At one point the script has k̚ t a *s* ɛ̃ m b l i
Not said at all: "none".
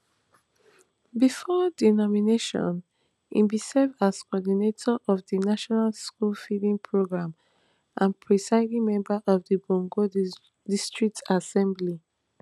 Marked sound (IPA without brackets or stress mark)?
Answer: s